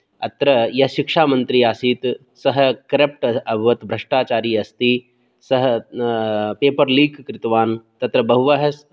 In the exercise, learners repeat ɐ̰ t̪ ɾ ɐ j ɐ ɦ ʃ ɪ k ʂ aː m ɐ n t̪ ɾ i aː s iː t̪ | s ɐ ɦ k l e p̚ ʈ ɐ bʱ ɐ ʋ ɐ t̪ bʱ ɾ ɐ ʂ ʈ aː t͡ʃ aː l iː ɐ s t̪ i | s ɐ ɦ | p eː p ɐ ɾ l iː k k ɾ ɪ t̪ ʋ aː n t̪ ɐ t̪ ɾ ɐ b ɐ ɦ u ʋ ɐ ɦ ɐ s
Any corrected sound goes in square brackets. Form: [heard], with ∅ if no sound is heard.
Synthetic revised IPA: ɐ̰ t̪ ɾ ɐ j ɐ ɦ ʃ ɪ k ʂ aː m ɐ n t̪ ɾ i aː s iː t̪ | s ɐ ɦ k [ɾ] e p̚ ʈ ɐ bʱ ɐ ʋ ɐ t̪ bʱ ɾ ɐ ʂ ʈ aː t͡ʃ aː [ɾ] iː ɐ s t̪ i | s ɐ ɦ | p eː p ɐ ɾ l iː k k ɾ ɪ t̪ ʋ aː n t̪ ɐ t̪ ɾ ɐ b ɐ ɦ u ʋ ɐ ɦ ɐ s